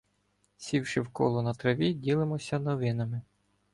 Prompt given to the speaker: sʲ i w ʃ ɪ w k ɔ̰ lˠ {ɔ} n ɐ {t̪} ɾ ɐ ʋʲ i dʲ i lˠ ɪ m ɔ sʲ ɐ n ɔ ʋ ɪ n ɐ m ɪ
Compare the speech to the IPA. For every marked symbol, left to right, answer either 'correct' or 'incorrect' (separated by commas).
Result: correct, correct